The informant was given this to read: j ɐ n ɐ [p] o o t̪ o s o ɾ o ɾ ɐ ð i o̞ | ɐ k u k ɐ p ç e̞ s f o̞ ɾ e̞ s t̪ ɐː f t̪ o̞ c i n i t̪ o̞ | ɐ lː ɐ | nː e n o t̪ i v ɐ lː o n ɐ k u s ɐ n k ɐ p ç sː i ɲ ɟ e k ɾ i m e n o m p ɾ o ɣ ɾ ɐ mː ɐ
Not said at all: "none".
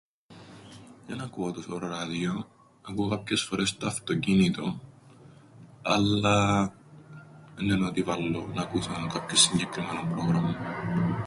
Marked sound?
k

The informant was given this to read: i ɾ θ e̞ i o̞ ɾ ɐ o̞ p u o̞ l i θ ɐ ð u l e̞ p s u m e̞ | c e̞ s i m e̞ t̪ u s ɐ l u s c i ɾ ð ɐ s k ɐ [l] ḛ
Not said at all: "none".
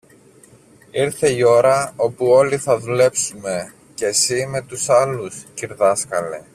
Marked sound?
l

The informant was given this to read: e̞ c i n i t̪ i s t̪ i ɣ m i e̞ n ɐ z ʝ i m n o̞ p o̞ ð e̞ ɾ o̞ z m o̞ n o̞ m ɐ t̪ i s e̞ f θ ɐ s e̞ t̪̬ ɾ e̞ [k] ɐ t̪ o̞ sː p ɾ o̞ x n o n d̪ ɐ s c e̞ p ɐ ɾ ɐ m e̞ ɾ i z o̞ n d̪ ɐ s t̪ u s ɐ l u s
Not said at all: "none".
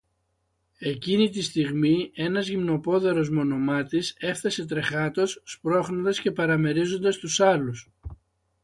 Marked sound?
x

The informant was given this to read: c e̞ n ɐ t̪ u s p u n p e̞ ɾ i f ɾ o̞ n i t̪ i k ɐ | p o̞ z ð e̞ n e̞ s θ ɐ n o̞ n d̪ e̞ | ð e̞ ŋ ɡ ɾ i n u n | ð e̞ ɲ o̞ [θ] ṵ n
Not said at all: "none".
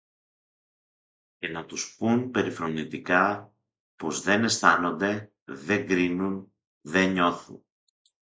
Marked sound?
θ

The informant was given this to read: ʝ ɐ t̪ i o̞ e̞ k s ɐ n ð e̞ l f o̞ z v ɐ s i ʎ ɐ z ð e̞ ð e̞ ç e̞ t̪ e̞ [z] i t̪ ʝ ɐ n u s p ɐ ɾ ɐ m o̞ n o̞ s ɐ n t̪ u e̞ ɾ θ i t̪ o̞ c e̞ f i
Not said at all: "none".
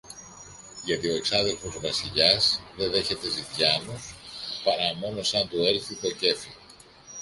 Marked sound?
z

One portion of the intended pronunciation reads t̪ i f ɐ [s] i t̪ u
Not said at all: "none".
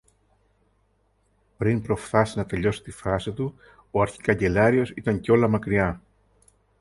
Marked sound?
s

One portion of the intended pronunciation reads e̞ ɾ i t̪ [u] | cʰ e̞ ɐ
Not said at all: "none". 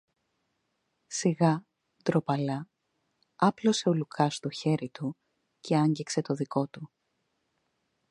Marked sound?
u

